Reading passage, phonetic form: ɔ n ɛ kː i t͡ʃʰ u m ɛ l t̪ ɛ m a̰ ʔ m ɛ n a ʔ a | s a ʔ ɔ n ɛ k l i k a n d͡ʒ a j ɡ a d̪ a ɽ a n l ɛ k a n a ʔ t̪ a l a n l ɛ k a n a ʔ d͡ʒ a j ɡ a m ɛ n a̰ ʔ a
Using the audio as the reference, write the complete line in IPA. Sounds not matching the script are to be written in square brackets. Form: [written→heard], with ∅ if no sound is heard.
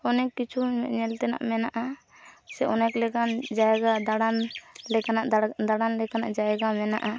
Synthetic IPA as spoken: ɔ n ɛ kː i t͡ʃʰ u [m→ɲ] ɛ l t̪ ɛ [m→n] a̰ ʔ m ɛ n a ʔ a | s [a→ɛ] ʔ ɔ n ɛ k l [i→ɛ] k a n d͡ʒ a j ɡ a d̪ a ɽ a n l ɛ k a n a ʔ [t̪→d̪] a [l→ɽ] a n l ɛ k a n a ʔ d͡ʒ a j ɡ a m ɛ n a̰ ʔ a